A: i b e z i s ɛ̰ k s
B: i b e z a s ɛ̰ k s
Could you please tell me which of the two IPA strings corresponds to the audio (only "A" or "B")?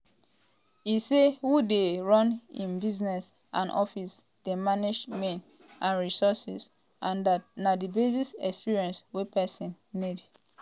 A